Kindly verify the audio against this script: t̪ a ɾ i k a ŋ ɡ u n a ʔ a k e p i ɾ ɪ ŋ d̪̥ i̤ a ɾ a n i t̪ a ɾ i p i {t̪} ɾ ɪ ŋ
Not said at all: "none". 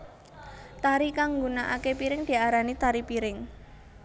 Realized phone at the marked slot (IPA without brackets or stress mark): none